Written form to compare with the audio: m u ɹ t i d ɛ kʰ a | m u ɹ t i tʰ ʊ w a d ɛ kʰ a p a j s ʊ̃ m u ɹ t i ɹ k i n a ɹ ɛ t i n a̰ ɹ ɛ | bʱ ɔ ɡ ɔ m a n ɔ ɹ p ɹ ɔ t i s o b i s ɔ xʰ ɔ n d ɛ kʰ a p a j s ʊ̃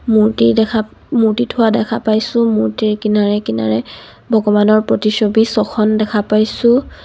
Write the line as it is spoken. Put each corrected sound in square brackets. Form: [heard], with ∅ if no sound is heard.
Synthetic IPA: m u ɹ t i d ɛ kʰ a | m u ɹ t i tʰ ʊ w a d ɛ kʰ a p a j s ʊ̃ m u ɹ t i ɹ k i n a ɹ ɛ [k] i n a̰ ɹ ɛ | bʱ ɔ ɡ ɔ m a n ɔ ɹ p ɹ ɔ t i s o b i s ɔ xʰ ɔ n d ɛ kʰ a p a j s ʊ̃

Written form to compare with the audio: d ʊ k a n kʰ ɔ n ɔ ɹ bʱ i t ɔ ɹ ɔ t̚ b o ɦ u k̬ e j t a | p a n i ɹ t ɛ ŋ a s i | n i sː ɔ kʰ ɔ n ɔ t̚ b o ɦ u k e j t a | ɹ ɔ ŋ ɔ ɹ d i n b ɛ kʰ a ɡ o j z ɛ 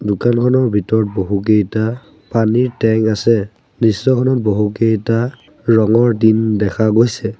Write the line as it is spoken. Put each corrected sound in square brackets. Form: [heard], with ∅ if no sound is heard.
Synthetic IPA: d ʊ k a n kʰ ɔ n ɔ ɹ bʱ i t ɔ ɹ ɔ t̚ b o ɦ u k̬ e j t a | p a n i ɹ t ɛ ŋ a s [ɛ] | n i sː ɔ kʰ ɔ n ɔ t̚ b o ɦ u k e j t a | ɹ ɔ ŋ ɔ ɹ d i n [d] ɛ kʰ a ɡ o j [s] ɛ

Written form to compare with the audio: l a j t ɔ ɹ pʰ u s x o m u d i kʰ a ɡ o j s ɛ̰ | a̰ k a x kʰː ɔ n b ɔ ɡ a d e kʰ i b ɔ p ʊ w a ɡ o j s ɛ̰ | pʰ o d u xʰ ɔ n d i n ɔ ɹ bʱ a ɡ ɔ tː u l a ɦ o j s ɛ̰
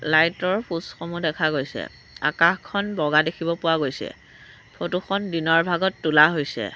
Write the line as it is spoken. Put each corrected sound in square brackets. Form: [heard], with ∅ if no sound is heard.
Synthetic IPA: l a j t ɔ ɹ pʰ u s x o m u d [ɛ] kʰ a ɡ o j s ɛ̰ | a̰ k a x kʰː ɔ n b ɔ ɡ a d e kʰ i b ɔ p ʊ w a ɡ o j s ɛ̰ | pʰ o [t] u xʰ ɔ n d i n ɔ ɹ bʱ a ɡ ɔ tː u l a ɦ o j s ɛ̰

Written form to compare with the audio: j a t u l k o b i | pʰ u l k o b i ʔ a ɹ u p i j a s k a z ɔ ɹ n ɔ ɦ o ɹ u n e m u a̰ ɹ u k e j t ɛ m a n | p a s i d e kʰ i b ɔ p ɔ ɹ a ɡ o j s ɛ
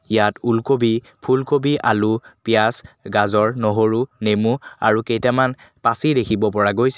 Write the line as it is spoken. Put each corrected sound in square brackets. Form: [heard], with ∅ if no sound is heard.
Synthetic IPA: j a t u l k o b i | pʰ u l k o b i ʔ a [l] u p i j a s [ɡ] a z ɔ ɹ n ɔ ɦ o ɹ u n e m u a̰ ɹ u k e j t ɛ m a n | p a s i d e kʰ i b ɔ p ɔ ɹ a ɡ o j s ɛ

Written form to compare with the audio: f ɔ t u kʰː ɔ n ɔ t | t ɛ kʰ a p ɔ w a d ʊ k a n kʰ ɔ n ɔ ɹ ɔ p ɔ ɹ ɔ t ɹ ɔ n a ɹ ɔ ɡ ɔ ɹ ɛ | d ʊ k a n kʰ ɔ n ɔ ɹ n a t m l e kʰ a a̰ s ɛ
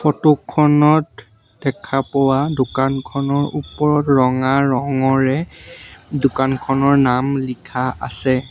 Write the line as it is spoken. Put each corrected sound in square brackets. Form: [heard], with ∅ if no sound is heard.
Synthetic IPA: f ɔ t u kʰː ɔ n ɔ t | [d] ɛ kʰ a p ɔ w a d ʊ k a n kʰ ɔ n ɔ ɹ [u] p ɔ ɹ ɔ t ɹ ɔ [ŋ] a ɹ ɔ [ŋ] ɔ ɹ ɛ | d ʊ k a n kʰ ɔ n ɔ ɹ n a [∅] m l [i] kʰ a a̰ s ɛ

